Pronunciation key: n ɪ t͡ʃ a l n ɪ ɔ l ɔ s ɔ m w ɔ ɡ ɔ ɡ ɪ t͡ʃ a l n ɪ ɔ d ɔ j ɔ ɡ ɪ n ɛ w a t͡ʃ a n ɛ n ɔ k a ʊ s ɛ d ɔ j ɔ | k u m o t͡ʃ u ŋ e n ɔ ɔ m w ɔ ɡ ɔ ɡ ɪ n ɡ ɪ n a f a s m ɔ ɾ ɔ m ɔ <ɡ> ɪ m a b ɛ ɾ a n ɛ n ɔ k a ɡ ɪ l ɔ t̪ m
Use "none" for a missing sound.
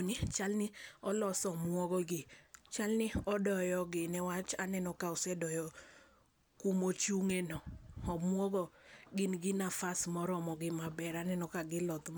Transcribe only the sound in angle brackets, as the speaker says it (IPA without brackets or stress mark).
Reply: ɡ